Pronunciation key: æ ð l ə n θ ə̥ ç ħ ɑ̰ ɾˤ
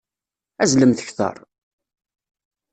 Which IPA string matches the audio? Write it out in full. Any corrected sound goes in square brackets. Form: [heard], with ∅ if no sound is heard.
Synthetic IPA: æ [z] l ə [m] θ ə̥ ç [θ] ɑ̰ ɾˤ